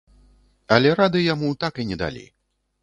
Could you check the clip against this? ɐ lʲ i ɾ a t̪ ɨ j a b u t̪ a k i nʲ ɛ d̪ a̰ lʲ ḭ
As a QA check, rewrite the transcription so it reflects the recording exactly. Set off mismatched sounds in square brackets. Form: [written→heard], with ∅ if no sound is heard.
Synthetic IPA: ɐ lʲ [i→ɛ] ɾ a [t̪→d̪] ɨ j a [b→m] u t̪ a k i nʲ ɛ d̪ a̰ lʲ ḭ